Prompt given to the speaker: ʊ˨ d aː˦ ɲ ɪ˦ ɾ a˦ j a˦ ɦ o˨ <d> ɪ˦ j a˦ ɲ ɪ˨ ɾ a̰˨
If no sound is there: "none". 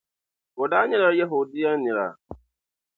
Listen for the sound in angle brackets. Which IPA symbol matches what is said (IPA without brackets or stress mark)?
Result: d